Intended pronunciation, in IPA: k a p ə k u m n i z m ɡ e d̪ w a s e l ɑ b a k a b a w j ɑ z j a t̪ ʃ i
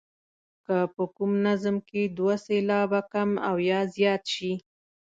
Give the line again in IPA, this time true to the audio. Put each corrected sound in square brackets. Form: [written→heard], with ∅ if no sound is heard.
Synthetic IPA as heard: k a p ə k u m n [i→a] z m [ɡ→k] e d̪ w a s e l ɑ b a k a [b→m] a w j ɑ z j [a→ɑ] t̪ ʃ i

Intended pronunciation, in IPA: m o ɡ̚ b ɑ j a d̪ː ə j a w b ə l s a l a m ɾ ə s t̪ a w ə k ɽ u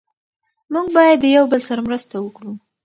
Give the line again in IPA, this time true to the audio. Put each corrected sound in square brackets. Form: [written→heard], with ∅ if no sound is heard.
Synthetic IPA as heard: m [o→u] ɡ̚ b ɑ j a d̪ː ə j a w b ə l s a [l→ɾ] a m ɾ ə s t̪ a w ə k ɽ u

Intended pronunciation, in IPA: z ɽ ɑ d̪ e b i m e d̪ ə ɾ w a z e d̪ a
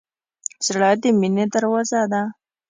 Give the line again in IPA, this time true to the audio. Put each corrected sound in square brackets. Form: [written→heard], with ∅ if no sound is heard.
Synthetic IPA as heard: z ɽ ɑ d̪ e [b→m] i [m→n] e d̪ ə ɾ w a z [e→a] d̪ a

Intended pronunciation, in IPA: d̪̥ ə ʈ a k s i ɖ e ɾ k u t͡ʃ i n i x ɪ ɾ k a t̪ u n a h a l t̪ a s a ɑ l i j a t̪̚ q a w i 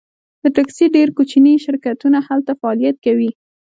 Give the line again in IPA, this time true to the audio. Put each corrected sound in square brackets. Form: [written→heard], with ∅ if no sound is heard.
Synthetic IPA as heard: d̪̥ ə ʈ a k s i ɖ e ɾ k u t͡ʃ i n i [x→ʃ] ɪ ɾ k a t̪ u n a h a l t̪ a [s→f] a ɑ l i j a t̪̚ [q→k] a w i

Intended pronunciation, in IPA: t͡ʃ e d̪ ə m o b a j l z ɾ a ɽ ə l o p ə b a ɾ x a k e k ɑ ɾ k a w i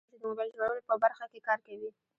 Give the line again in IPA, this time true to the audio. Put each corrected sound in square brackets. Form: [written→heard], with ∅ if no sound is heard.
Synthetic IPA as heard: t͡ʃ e d̪ ə m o b a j l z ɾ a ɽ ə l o p ə b a ɾ x a k e k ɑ ɾ k a w i

